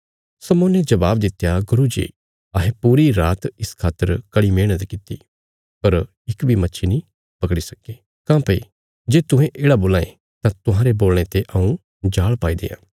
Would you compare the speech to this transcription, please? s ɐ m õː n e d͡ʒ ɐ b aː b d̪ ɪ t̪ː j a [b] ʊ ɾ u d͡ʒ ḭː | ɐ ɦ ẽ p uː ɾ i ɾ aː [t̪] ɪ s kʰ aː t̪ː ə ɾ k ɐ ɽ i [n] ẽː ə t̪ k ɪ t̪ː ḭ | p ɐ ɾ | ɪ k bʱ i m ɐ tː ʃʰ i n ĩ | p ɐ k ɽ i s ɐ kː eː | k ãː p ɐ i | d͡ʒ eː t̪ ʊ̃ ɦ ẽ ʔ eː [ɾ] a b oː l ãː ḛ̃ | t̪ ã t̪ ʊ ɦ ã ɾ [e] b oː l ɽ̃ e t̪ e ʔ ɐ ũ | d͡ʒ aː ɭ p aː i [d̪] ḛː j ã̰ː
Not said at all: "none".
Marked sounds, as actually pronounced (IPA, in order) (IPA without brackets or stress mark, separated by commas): ɡ, t̪, m, ɽ, e, d̪